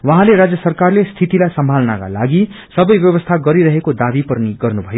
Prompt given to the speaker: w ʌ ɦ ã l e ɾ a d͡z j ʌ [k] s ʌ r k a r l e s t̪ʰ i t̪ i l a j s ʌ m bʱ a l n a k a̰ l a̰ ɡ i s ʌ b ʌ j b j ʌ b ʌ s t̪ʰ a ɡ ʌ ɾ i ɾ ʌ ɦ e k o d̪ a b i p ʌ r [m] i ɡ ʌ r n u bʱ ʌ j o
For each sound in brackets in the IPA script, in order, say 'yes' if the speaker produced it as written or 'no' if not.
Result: no, no

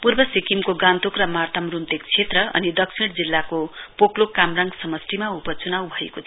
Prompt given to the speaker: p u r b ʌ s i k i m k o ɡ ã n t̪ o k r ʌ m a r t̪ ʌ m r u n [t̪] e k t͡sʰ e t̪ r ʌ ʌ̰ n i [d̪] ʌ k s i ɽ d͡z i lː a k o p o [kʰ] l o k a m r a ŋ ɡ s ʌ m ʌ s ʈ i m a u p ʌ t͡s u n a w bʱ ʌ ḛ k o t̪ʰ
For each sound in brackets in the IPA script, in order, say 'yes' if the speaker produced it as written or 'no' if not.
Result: yes, yes, no

